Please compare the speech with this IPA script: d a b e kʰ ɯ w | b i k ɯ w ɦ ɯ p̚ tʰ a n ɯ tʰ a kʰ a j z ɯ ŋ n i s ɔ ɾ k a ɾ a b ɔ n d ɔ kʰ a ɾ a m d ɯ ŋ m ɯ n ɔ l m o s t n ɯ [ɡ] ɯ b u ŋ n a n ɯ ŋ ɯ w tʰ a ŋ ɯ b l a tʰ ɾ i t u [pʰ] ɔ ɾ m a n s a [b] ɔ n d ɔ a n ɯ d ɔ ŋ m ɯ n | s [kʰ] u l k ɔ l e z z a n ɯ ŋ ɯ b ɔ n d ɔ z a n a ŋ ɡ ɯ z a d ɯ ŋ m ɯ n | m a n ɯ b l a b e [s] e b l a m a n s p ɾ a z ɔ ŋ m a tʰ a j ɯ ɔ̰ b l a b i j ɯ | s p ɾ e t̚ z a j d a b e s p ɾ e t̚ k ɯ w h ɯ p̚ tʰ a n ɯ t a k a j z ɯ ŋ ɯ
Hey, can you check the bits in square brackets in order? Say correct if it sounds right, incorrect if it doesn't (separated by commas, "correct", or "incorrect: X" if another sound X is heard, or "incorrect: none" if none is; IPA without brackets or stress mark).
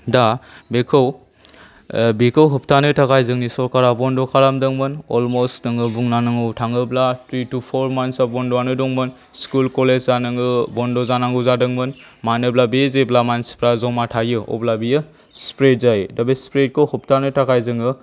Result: incorrect: ŋ, correct, correct, incorrect: k, incorrect: z